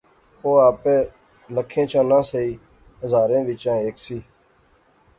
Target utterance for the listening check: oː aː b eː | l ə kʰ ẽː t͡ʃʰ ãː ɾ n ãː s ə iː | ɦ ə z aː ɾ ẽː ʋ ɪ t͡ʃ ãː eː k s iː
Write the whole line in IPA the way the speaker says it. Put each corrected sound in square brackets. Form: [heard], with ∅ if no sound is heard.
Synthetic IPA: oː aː [p] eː | l ə kʰ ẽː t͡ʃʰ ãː [∅] n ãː s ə iː | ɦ ə z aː ɾ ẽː ʋ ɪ t͡ʃ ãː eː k s iː

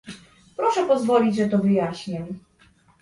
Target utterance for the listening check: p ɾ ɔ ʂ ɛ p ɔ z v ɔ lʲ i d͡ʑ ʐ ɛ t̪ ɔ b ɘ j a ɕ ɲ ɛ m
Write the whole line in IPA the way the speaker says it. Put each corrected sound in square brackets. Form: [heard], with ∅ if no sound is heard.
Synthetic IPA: p ɾ ɔ ʂ ɛ p ɔ z v ɔ lʲ i d͡ʑ ʐ ɛ t̪ ɔ [v] ɘ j a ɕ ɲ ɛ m

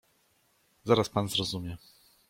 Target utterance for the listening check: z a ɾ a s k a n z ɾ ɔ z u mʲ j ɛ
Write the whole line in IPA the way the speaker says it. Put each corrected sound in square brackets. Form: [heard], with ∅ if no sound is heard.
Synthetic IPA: z a ɾ a s [p] a n z ɾ ɔ z u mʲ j ɛ

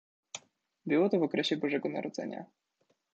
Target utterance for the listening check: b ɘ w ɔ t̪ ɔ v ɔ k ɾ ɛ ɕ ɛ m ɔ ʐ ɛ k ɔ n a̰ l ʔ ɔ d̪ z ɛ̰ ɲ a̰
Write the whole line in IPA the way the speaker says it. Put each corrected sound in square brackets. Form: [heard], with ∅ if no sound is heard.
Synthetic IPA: b ɘ w ɔ t̪ ɔ v ɔ k ɾ ɛ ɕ ɛ [b] ɔ ʐ ɛ [ɡ] ɔ n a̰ [ɾ] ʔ ɔ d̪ z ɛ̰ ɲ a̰

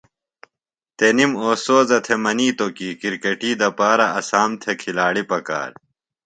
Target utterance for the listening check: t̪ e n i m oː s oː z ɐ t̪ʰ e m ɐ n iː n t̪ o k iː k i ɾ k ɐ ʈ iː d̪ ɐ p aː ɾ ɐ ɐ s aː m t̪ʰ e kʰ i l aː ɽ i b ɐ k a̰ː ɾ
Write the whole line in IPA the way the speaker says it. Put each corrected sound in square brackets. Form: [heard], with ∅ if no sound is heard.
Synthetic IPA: t̪ e n i m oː s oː z ɐ t̪ʰ e m ɐ n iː [∅] t̪ o k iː k i ɾ k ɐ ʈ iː d̪ ɐ p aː ɾ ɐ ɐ s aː m t̪ʰ e kʰ i l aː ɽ i [p] ɐ k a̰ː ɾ

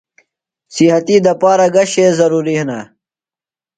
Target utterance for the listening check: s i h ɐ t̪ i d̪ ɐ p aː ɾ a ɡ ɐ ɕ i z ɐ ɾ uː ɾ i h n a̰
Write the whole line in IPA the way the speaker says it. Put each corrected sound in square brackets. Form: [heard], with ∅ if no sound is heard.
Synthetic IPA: s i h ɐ t̪ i d̪ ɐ p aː ɾ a ɡ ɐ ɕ [e] z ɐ ɾ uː ɾ i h n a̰

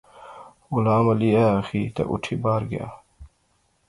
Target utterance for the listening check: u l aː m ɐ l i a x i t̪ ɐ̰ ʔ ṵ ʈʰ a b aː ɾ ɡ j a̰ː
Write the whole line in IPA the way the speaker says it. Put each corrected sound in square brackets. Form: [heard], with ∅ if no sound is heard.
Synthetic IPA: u l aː m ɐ l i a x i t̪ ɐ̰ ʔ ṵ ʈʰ [i] b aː ɾ ɡ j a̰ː

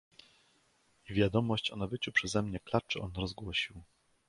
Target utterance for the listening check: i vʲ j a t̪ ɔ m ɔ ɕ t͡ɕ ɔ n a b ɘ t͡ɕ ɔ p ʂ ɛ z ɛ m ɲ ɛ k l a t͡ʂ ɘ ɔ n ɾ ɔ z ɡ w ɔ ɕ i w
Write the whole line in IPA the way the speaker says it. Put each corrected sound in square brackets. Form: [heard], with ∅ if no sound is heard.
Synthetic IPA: i vʲ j a [d̪] ɔ m ɔ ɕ t͡ɕ ɔ n a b ɘ t͡ɕ [u] p ʂ ɛ z ɛ m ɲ ɛ k l a t͡ʂ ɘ ɔ n ɾ ɔ z ɡ w ɔ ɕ i w

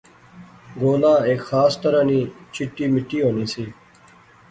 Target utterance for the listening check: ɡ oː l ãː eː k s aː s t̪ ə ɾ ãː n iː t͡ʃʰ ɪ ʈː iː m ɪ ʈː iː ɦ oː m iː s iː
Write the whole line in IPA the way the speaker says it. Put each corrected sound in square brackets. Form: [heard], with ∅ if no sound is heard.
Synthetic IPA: ɡ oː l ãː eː k [x] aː s t̪ ə ɾ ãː n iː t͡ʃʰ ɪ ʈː iː m ɪ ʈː iː ɦ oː [n] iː s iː

